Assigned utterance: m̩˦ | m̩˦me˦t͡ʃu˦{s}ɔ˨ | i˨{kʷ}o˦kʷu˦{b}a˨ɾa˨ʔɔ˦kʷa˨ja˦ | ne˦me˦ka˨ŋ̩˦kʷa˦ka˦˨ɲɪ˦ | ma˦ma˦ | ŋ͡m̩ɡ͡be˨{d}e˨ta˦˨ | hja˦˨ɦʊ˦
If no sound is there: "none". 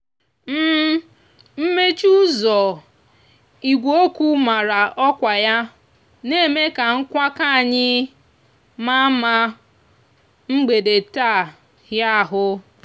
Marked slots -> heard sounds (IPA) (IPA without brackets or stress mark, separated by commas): z, ɡʷ, m, d